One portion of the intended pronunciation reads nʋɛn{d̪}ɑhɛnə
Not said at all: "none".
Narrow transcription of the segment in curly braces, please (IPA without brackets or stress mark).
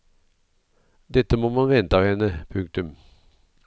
t̪